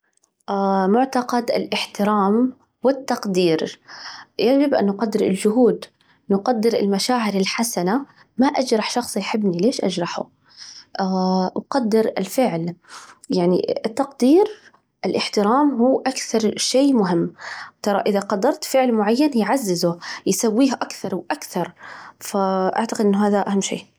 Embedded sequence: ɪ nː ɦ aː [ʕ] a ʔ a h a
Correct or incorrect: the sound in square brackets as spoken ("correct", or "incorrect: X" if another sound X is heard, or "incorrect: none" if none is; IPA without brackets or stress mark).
incorrect: ð